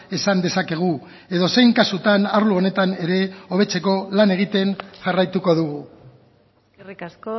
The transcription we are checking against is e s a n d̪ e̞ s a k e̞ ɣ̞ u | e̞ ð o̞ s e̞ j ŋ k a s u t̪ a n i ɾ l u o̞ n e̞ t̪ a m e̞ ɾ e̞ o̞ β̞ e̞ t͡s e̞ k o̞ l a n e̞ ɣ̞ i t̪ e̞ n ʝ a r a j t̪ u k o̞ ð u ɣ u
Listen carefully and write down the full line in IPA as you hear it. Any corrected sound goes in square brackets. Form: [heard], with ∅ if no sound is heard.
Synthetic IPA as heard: e s a n d̪ e̞ s a k e̞ ɣ̞ u | e̞ ð o̞ s e̞ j ŋ k a s u t̪ a n [a] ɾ l u o̞ n e̞ t̪ a [n] e̞ ɾ e̞ o̞ β̞ e̞ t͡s e̞ k o̞ l a n e̞ ɣ̞ i t̪ e̞ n ʝ a r a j t̪ u k o̞ ð u ɣ u